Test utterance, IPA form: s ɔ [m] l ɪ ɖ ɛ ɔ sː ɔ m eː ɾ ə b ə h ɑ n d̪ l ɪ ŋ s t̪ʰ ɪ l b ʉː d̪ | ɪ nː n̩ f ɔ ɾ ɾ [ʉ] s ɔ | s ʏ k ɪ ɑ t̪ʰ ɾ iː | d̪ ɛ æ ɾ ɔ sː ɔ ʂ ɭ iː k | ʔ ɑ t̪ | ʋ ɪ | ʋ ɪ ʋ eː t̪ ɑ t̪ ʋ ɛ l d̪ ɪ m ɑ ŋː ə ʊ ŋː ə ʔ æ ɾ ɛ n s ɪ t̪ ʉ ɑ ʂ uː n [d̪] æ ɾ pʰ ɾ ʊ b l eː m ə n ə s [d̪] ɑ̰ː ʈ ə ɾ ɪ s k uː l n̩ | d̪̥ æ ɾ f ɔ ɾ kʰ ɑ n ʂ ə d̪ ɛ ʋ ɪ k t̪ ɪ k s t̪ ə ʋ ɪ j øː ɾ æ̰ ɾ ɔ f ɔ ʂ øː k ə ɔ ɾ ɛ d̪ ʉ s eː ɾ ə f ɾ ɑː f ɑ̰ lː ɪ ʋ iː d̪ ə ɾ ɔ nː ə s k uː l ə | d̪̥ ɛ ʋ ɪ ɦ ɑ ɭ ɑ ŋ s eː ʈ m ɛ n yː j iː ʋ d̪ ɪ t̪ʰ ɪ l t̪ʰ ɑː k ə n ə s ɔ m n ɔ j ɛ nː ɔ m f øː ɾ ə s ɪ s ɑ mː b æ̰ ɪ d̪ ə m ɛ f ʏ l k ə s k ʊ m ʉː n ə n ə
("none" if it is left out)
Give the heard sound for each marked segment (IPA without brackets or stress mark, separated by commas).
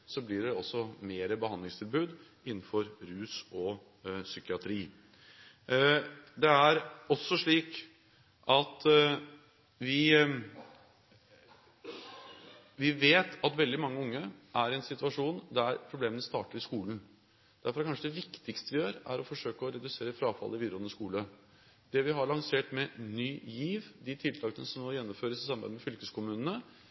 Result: b, ʉː, d̪, t̪